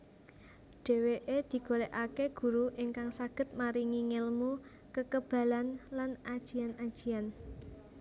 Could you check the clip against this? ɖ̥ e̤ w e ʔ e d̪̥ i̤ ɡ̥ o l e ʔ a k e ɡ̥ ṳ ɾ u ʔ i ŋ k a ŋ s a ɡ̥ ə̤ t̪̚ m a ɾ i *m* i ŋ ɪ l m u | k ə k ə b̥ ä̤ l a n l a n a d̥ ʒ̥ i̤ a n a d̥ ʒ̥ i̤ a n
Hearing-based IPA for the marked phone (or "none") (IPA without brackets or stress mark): ŋ